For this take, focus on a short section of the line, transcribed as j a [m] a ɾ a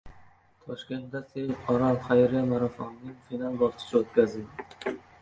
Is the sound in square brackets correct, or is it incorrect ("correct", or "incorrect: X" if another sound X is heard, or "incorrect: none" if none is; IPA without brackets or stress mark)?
correct